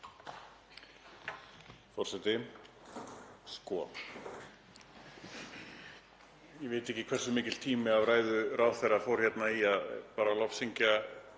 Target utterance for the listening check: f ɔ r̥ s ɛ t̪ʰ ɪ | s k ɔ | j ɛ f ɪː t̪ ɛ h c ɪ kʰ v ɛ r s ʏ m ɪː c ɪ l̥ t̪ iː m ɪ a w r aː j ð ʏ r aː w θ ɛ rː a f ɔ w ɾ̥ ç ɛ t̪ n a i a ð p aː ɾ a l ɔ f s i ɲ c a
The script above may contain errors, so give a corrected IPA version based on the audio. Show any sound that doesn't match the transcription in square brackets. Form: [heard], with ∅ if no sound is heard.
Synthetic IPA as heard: f ɔ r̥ s ɛ [t̪] ɪ | s k ɔ | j ɛ [v] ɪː t̪ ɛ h c ɪ kʰ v ɛ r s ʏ m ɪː c ɪ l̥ [t̪ʰ] iː m ɪ a [v] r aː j ð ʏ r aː w θ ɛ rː a f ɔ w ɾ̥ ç ɛ t̪ n a i a ð p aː ɾ a l ɔ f s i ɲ c a